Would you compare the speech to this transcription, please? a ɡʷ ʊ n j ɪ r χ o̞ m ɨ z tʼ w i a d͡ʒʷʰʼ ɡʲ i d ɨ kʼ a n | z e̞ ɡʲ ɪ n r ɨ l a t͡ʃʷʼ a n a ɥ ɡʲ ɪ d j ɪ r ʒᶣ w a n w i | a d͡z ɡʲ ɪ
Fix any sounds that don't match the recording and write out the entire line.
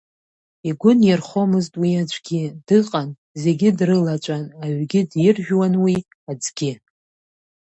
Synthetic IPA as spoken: i ɡʷ ʊ n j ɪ r χ o̞ m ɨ z tʼ w i a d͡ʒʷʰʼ ɡʲ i d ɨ qʼ a n | z e̞ ɡʲ ɪ d r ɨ l a t͡ʃʷʼ a n a ɥ ɡʲ ɪ d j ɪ r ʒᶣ w a n w i | a d͡z ɡʲ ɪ